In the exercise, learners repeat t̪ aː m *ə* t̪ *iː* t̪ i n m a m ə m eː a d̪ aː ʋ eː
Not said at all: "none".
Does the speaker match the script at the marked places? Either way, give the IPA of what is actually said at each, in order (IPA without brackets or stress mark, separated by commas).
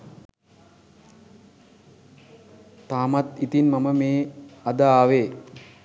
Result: a, i